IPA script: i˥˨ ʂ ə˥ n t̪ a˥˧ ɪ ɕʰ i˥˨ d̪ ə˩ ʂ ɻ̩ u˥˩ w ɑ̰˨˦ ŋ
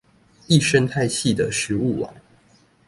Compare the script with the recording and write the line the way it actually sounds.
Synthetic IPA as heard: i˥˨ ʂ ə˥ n t̪ʰ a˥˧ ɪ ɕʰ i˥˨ d̪ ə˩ ʂ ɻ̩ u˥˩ w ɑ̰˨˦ ŋ

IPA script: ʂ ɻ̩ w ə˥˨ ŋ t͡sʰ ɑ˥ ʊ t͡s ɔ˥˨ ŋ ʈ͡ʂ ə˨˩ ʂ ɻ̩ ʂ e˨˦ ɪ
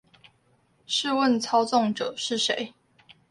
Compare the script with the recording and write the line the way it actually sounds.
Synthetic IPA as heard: ʂ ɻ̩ w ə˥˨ n t͡sʰ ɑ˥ ʊ t͡s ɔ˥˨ ŋ ʈ͡ʂ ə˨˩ ʂ ɻ̩ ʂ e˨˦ ɪ

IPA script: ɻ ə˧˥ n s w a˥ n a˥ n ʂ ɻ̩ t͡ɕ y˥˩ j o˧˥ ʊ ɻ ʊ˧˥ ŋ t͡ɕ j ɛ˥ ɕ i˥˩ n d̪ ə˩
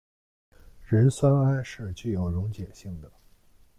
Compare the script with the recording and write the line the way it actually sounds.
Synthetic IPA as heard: ɻ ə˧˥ n s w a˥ n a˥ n ʂ ɻ̩ t͡ɕ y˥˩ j o˨˩ ʊ ɻ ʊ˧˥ ŋ t͡ɕ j ɛ˨˩ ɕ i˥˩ ŋ d̪ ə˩

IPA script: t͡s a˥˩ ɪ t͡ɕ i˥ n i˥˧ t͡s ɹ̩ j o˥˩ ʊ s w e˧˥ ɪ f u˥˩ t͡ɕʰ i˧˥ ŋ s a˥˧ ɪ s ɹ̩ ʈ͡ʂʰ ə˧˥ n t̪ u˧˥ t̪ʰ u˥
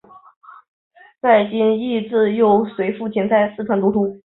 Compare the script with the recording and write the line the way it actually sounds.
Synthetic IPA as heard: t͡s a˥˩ ɪ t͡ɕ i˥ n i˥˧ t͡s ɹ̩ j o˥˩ ʊ s w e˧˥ ɪ f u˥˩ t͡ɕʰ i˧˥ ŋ t͡s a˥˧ ɪ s ɹ̩ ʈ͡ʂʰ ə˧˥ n t̪ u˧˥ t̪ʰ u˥

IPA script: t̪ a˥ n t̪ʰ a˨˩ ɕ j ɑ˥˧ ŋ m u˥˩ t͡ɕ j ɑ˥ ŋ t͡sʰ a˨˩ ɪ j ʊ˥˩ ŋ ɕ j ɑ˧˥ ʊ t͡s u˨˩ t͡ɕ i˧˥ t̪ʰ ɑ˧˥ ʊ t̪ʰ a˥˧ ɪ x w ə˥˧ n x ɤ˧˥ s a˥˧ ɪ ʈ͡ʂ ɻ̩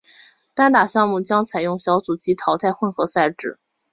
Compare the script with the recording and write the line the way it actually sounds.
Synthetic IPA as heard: t̪ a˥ n t̪ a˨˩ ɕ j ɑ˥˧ ŋ m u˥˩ t͡ɕ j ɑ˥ ŋ t͡sʰ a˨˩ ɪ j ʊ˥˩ ŋ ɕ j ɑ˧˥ ʊ t͡s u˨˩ t͡ɕ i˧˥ t̪ʰ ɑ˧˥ ʊ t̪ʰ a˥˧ ɪ x w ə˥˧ n x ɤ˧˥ s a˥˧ ɪ ʈ͡ʂ ɻ̩

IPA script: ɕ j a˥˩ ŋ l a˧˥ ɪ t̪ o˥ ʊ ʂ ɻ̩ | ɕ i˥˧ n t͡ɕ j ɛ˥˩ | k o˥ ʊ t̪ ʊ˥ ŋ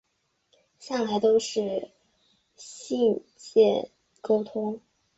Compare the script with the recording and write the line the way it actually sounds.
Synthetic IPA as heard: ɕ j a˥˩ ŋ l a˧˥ ɪ t̪ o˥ ʊ ʂ ɻ̩ | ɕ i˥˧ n t͡ɕ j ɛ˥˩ | k o˥ ʊ t̪ʰ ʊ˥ ŋ

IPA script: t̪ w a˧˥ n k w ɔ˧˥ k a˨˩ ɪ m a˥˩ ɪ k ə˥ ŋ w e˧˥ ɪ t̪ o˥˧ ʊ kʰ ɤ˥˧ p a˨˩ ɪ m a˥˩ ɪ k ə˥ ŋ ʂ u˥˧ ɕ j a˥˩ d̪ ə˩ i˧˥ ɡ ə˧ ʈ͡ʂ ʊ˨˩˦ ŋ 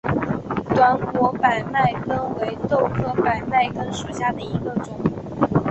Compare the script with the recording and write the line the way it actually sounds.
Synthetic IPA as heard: t̪ w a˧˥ n k w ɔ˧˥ p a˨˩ ɪ m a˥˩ ɪ k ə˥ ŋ w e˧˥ ɪ t̪ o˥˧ ʊ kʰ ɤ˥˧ p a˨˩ ɪ m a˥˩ ɪ k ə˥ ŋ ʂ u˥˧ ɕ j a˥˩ d̪ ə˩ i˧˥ ɡ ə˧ ʈ͡ʂ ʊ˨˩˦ ŋ

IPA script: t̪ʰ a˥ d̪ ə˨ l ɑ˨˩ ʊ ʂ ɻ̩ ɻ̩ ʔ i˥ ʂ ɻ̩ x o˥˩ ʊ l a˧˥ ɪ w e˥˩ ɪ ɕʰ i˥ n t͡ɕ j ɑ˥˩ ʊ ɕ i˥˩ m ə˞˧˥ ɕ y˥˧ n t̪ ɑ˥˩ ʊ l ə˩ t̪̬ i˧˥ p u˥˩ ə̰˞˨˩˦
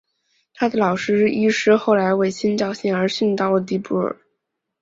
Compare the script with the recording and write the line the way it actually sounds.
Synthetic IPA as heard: t̪ʰ a˥ d̪ ə˨ l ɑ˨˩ ʊ ʂ ɻ̩ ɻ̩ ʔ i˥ ʂ ɻ̩ x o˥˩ ʊ l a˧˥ ɪ w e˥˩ ɪ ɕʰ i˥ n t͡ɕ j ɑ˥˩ ʊ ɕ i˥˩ ŋ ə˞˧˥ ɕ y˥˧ n t̪ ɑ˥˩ ʊ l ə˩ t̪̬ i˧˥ p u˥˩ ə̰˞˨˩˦

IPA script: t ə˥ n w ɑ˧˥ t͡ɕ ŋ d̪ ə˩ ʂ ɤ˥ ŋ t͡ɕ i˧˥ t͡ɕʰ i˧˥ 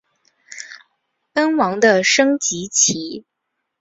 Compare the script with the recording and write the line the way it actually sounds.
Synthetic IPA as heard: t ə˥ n w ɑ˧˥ ŋ d̪ ə˧ ʂ ɤ˥ ŋ t͡ɕ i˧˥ t͡ɕʰ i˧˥

